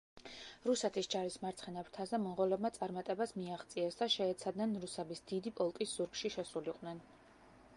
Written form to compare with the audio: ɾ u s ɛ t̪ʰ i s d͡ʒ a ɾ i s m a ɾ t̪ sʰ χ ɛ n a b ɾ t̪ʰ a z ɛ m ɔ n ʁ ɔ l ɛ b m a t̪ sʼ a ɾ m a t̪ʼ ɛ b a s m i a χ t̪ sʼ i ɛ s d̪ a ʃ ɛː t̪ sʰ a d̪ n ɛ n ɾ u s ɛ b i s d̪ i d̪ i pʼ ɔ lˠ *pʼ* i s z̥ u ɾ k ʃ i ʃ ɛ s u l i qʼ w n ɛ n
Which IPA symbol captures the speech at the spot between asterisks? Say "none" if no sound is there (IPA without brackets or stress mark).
kʼ